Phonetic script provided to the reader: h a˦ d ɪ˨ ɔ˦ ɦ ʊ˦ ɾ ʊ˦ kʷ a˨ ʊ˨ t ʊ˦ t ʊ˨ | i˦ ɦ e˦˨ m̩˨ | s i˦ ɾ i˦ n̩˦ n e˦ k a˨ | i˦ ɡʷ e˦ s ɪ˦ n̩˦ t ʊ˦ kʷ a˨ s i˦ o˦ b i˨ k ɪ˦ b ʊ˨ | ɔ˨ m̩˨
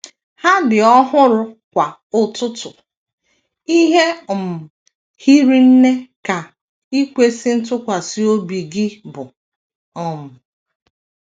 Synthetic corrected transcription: h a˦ d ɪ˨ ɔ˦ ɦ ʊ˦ ɾ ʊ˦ kʷ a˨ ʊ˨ t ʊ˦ t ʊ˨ | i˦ ɦ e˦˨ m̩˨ | h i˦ ɾ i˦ n̩˦ n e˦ k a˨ | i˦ kʷ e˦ s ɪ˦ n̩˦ t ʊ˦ kʷ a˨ s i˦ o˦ b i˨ ɡ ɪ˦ b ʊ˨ | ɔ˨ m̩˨